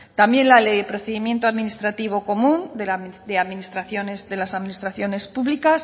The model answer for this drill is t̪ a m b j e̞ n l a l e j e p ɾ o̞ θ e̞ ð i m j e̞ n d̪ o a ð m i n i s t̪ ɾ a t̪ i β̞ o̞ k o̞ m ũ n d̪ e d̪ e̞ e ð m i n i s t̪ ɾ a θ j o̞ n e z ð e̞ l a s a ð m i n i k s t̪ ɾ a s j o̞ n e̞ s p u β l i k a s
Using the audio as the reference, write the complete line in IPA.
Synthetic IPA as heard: t̪ a m b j e̞ n l a l e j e p ɾ o̞ θ e̞ ð i m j e̞ n t̪ o a ð m i n i s t̪ ɾ a t̪ i β̞ o̞ k o̞ m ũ n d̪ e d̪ e̞ a ð m i n i s t̪ ɾ a θ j o̞ n e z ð e̞ l a s a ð m i n i s t̪ ɾ a θ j o̞ n e̞ s p u β l i k a s